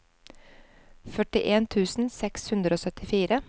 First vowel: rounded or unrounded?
rounded